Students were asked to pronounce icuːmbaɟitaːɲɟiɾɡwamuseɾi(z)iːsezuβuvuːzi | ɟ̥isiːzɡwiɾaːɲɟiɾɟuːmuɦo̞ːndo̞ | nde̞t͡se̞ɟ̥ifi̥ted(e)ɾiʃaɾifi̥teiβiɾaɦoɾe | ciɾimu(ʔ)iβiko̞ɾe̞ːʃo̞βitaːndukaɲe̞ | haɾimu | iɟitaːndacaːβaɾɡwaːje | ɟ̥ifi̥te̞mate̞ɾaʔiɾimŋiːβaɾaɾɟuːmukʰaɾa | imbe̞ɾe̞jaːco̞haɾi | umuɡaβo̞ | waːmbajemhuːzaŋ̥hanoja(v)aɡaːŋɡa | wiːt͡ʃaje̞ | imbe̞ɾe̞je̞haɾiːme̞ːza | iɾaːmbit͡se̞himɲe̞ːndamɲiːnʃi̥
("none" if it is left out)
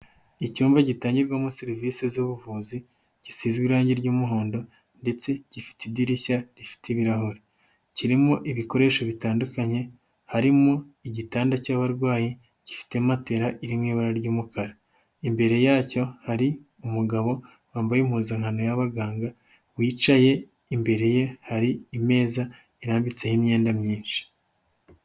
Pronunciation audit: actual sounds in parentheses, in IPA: v, i, ʔ, β

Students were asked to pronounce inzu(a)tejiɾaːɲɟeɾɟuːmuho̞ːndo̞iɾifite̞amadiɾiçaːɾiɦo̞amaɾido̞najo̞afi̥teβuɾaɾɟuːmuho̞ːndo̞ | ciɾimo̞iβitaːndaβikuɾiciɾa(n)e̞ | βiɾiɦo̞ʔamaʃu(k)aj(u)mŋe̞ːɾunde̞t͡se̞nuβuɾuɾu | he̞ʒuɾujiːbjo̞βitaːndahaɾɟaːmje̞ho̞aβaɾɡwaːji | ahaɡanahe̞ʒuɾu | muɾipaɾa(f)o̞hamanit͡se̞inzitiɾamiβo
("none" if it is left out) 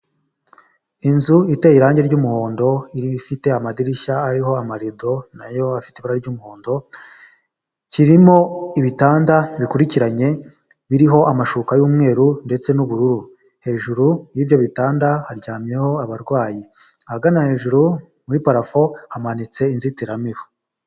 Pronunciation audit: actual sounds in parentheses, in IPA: i, ɲ, k, uː, f

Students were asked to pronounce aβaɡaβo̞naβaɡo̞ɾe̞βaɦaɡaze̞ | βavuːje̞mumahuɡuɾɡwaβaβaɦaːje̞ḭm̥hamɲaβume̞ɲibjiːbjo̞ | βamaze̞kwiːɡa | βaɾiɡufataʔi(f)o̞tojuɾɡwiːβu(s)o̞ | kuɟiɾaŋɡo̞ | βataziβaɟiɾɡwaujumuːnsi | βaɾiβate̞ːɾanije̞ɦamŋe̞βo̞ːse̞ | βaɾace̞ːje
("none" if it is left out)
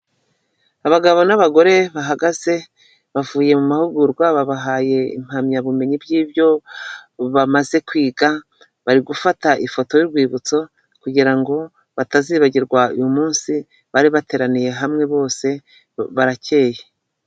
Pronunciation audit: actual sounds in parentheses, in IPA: f, t͡s

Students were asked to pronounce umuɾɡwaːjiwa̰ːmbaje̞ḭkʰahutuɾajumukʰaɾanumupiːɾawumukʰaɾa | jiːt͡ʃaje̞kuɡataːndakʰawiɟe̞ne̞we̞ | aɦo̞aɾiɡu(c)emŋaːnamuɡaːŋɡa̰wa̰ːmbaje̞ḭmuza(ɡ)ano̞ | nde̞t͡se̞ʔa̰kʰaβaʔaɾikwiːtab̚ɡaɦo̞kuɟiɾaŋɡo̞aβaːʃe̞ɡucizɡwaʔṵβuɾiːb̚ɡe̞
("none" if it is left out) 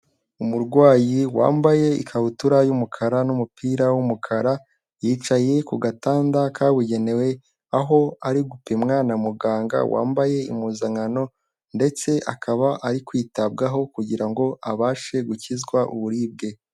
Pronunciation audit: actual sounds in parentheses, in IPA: p, ŋ

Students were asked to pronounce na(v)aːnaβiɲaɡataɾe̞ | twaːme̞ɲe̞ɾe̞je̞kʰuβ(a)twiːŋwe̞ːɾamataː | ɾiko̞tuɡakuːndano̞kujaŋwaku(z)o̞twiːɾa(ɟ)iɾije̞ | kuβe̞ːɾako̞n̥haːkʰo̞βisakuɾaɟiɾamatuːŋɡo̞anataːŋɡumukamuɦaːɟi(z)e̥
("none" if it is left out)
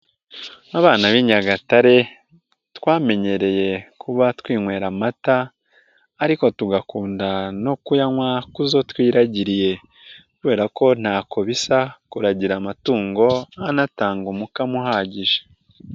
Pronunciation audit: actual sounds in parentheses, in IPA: β, a, z, ɟ, ʒ

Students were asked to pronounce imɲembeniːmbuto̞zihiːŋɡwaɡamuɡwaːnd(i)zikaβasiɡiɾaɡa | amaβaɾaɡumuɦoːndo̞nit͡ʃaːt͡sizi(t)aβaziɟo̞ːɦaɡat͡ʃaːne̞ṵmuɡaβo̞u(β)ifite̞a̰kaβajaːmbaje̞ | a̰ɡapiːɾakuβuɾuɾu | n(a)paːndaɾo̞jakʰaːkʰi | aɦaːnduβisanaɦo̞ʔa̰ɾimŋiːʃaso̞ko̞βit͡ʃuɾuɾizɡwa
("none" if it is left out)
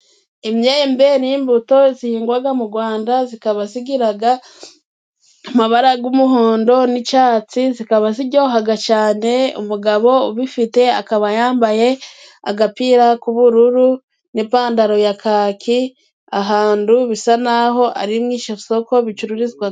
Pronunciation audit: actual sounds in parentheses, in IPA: a, k, β, i

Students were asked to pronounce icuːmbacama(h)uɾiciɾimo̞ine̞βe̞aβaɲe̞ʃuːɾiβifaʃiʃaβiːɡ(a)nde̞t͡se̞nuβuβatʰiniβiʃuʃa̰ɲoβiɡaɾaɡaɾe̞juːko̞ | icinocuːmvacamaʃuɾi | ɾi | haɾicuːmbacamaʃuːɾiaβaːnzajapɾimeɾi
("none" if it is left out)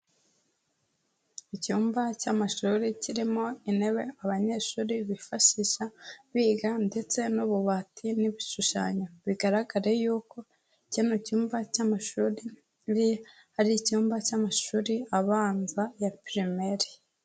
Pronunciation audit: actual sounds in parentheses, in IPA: ʃ, a

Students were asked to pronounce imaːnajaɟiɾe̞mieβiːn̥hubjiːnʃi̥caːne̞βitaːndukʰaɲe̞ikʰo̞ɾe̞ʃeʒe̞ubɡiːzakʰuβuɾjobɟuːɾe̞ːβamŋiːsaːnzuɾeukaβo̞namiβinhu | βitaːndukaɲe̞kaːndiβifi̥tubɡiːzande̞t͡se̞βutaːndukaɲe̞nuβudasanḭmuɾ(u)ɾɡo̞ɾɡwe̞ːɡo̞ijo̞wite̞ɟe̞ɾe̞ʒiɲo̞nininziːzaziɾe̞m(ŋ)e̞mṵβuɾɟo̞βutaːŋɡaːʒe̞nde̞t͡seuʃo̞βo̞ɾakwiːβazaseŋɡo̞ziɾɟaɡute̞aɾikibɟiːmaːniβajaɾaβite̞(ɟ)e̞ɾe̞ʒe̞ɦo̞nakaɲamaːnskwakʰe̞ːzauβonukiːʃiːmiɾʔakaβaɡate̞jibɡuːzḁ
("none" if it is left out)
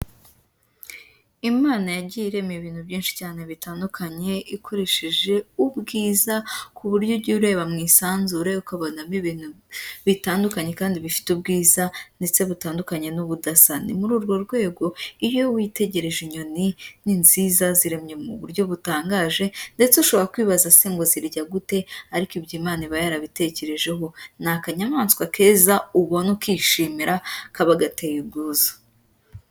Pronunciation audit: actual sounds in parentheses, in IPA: uː, ɲ, c

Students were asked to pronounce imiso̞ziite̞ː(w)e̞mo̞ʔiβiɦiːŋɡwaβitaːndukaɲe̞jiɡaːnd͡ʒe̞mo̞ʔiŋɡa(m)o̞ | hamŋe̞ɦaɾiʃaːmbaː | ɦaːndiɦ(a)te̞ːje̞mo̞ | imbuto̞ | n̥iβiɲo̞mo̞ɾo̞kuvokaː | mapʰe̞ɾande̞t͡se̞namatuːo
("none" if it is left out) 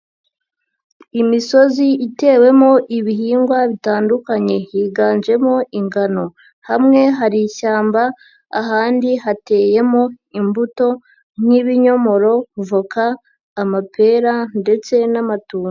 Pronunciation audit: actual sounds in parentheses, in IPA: w, n, a

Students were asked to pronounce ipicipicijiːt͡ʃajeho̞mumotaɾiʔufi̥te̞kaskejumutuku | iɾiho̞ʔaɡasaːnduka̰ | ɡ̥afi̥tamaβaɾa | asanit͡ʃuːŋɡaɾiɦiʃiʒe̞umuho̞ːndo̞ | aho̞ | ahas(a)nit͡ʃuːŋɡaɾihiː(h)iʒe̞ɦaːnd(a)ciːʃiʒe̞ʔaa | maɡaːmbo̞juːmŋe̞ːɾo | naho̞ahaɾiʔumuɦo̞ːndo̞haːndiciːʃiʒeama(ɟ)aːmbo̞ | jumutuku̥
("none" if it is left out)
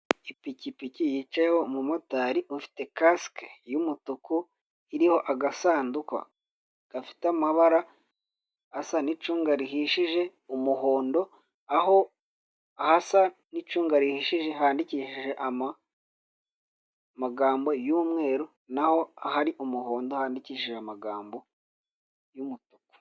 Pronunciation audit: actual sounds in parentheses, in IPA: a, ʃ, i, ɡ

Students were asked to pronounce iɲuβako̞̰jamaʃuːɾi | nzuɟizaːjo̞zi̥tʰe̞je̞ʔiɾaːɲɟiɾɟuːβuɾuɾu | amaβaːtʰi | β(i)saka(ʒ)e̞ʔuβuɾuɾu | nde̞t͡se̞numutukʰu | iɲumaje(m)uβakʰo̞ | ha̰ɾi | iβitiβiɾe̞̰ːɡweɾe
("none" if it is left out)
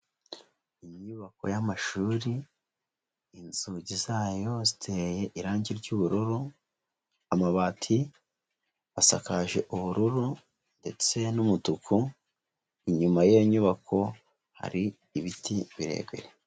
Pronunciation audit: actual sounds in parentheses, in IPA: a, ʒ, ɲ

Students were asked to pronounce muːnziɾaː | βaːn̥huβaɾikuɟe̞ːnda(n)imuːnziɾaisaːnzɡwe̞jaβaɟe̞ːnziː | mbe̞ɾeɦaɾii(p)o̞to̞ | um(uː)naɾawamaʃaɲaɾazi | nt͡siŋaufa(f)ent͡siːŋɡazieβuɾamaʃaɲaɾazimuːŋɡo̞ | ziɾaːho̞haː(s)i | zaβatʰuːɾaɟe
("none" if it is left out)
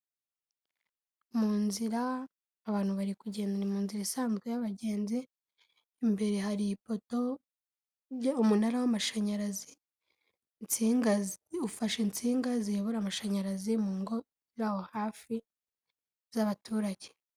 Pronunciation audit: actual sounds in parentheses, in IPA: n, p, u, ʃ, f

